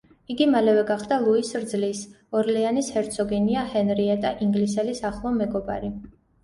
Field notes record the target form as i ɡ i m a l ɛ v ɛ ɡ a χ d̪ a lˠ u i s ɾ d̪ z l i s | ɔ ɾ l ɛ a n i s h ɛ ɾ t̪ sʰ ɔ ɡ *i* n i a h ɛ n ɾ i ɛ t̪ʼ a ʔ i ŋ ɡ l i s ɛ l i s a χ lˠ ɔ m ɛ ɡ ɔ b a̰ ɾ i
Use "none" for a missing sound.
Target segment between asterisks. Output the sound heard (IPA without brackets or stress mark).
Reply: ɛ